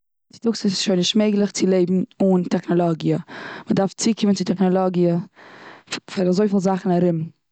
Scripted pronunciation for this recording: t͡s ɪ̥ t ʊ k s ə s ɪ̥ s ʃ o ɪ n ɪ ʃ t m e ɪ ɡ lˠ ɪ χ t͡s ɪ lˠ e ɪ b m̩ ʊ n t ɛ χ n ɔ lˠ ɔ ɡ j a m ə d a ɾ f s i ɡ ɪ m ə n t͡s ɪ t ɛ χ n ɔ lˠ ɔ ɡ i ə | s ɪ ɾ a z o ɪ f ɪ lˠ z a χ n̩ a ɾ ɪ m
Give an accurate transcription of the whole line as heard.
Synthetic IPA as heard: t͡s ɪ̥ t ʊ k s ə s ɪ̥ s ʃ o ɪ n ɪ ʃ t m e ɪ ɡ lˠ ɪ χ t͡s ɪ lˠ e ɪ b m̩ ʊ n t ɛ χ n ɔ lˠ ɔ ɡ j ə m ə d a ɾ f t͡s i k ɪ m ə n t͡s ɪ t ɛ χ n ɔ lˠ ɔ ɡ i ə | f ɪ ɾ a z o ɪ f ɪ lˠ z a χ n̩ a ɾ ɪ m